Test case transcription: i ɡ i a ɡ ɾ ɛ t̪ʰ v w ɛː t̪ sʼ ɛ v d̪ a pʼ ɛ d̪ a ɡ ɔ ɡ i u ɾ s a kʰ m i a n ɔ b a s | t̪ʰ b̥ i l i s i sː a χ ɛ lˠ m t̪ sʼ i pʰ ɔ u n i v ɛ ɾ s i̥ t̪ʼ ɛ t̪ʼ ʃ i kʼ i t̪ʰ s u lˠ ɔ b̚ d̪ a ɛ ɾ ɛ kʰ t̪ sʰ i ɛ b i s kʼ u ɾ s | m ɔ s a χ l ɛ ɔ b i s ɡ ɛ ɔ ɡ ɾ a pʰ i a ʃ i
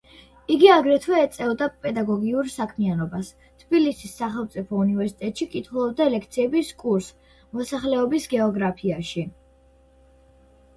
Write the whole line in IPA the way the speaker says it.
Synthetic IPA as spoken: i ɡ i a ɡ ɾ ɛ t̪ʰ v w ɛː t̪ sʼ ɛ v d̪ a pʼ ɛ d̪ a ɡ ɔ ɡ i u ɾ s a kʰ m i a n ɔ b a s | t̪ʰ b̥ i l i s i sː a χ ɛ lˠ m t̪ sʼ i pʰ ɔ u n i v ɛ ɾ s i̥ t̪ʼ ɛ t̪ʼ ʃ i kʼ i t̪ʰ χ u lˠ ɔ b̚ d̪ a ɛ l ɛ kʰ t̪ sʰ i ɛ b i s kʼ u ɾ s | m ɔ s a χ l ɛ ɔ b i s ɡ ɛ ɔ ɡ ɾ a pʰ i a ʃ i